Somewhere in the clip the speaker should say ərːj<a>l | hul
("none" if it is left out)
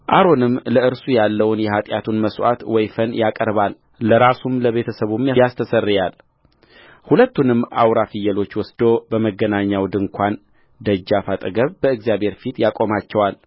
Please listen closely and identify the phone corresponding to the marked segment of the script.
a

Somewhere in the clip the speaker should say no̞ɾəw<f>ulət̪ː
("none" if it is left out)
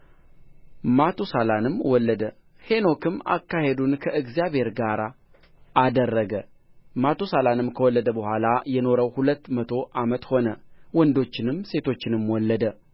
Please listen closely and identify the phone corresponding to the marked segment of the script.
h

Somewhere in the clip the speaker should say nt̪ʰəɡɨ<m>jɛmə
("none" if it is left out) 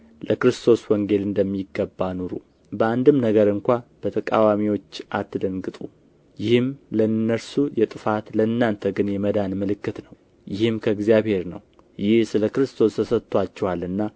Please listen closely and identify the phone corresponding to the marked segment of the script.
n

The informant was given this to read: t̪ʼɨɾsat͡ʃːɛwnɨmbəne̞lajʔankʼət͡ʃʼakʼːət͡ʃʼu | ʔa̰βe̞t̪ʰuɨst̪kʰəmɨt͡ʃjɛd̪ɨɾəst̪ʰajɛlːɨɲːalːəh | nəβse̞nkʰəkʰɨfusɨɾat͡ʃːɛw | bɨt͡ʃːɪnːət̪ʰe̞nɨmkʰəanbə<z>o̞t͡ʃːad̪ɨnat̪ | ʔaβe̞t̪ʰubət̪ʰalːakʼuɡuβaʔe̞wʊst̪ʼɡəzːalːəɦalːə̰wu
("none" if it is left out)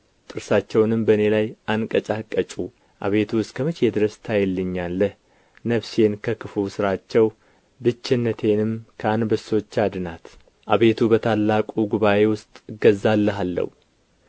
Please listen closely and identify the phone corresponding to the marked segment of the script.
s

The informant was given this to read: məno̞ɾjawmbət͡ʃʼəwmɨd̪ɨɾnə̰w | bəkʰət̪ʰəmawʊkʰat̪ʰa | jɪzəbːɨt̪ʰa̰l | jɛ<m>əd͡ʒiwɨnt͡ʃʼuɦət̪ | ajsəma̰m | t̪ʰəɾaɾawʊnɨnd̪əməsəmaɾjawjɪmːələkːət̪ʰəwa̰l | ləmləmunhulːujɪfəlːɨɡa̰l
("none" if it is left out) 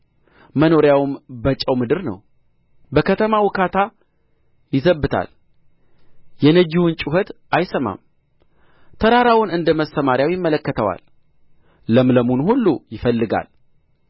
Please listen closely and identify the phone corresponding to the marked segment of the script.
n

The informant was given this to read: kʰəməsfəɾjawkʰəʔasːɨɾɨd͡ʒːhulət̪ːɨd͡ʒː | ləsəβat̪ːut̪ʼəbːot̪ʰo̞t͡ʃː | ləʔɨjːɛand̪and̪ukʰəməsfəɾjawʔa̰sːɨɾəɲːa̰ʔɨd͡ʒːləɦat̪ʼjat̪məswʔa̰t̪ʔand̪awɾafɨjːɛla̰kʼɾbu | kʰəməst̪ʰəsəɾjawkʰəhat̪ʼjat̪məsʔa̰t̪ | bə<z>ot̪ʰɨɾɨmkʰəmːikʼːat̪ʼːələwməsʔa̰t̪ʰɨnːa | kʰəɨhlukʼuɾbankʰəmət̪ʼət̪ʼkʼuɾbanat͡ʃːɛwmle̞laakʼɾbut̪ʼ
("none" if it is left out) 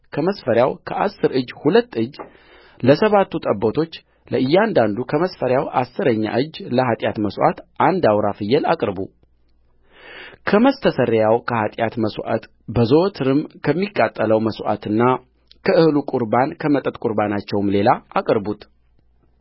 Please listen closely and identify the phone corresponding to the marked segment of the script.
z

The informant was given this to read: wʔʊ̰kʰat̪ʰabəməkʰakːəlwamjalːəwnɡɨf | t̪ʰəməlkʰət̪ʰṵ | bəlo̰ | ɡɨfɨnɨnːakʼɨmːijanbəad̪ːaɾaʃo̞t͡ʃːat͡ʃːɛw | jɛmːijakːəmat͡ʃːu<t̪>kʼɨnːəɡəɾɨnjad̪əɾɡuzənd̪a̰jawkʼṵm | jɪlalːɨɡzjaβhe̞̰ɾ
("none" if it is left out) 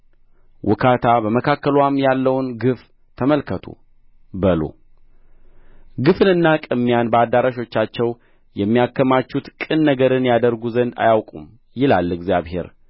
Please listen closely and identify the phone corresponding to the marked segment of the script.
t̪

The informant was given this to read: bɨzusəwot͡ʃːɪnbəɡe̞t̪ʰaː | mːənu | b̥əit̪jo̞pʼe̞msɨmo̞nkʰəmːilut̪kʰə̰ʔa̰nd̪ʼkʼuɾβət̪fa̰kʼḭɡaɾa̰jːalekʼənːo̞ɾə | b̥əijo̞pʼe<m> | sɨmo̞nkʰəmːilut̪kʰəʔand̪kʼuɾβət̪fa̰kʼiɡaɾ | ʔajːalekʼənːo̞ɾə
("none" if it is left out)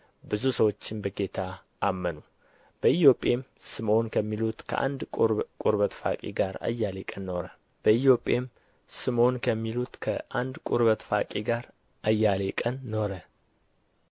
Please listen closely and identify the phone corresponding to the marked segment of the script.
m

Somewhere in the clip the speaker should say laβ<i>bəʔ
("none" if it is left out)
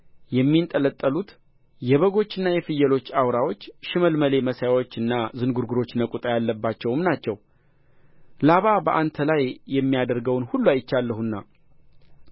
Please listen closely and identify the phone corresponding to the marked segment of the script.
a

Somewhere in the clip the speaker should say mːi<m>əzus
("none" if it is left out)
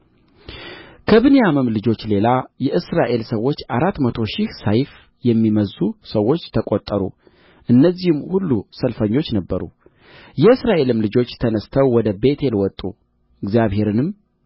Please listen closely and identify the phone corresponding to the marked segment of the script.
m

